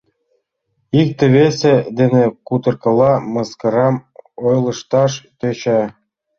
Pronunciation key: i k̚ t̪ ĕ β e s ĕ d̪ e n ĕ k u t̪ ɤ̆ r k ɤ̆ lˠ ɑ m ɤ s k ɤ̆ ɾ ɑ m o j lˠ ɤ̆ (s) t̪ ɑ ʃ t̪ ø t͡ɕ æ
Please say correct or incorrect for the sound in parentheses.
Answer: incorrect